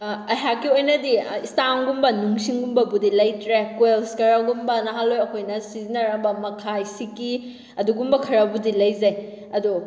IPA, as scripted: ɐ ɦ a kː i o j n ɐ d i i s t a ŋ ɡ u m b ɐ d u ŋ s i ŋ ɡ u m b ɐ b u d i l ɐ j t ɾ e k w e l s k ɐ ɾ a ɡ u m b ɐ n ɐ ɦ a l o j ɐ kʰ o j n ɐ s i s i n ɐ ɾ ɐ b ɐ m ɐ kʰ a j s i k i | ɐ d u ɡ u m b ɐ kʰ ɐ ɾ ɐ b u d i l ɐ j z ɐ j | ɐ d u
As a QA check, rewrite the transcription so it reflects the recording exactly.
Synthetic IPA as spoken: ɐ ɦ a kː i o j n ɐ d i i s t a ŋ ɡ u m b ɐ n u ŋ s i ŋ ɡ u m b ɐ b u d i l ɐ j t ɾ e k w e l s k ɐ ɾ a ɡ u m b ɐ n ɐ ɦ a l o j ɐ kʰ o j n ɐ s i z i n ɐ ɾ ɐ b ɐ m ɐ kʰ a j s i k i | ɐ d u ɡ u m b ɐ kʰ ɐ ɾ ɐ b u d i l ɐ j z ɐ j | ɐ d u